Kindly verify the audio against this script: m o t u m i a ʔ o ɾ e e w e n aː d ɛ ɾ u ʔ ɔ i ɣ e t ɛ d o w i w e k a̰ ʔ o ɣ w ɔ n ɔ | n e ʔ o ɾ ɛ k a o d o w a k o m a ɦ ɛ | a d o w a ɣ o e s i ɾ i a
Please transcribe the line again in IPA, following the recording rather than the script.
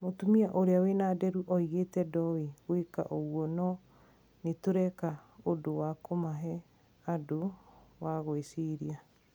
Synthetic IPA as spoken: m o t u m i a ʔ o ɾ e a w e n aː d ɛ ɾ u ʔ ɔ i ɣ e t ɛ d ɔ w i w e k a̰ ʔ o ɣ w ɔ n ɔ | n e t o ɾ ɛ k a o d o w a k o m a ɦ ɛ | a d o w a ɣ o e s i ɾ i a